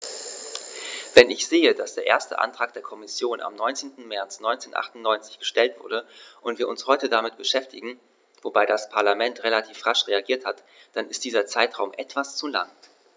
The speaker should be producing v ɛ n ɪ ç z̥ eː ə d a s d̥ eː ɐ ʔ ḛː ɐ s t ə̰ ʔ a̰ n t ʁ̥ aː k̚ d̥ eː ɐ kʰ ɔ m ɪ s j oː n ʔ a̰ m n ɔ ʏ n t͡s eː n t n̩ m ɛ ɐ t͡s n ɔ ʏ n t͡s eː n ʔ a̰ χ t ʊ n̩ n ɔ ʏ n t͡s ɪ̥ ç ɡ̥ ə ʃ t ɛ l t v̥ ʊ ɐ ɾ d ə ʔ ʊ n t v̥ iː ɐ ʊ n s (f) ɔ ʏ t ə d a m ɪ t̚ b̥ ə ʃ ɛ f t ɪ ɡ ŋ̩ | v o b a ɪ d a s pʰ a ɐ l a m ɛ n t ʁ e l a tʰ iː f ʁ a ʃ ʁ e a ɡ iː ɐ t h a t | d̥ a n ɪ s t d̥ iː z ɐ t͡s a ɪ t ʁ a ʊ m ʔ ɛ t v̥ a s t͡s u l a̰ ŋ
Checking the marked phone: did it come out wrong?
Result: yes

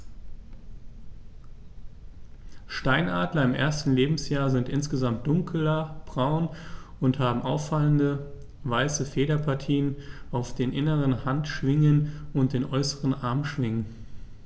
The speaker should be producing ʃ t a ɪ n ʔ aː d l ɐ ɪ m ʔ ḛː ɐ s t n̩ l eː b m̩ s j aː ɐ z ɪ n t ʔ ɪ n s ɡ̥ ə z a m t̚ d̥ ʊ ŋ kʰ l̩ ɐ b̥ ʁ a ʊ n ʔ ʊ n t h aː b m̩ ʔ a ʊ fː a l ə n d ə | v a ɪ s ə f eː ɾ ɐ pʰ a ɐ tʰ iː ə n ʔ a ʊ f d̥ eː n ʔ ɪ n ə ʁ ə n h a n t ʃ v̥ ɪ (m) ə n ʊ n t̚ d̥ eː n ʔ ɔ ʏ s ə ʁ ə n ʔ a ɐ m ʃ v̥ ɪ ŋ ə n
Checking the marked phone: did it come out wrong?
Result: yes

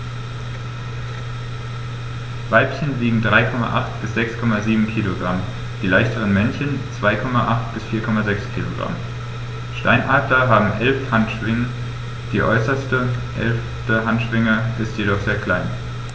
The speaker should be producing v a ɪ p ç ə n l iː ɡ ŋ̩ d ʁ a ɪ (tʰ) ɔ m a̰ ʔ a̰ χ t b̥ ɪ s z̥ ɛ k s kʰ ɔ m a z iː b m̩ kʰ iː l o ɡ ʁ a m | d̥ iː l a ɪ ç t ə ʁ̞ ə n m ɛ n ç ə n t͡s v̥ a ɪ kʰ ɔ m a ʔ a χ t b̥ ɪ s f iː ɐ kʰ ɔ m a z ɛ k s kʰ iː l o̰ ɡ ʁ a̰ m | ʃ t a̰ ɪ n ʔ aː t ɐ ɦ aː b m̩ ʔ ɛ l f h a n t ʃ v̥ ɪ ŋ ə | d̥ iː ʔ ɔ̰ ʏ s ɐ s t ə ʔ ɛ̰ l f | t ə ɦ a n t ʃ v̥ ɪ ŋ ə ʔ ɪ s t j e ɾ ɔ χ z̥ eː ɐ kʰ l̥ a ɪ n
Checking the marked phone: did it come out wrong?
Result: yes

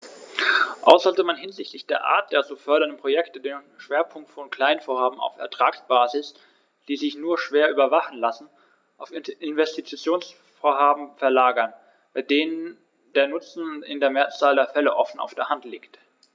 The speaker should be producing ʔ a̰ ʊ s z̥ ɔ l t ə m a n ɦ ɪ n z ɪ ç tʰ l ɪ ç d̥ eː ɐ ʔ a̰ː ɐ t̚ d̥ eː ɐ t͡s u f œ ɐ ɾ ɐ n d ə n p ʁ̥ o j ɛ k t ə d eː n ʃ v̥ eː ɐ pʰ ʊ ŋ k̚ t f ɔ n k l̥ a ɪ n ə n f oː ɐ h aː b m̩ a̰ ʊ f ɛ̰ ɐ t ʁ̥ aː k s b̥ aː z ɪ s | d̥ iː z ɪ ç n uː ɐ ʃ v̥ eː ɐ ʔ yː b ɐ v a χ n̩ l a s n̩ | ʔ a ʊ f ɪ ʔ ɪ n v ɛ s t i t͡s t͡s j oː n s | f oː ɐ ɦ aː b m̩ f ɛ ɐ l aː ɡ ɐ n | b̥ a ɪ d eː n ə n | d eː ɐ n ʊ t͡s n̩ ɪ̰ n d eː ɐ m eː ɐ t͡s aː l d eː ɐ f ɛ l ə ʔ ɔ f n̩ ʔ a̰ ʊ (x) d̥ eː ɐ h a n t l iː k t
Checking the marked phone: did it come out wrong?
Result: yes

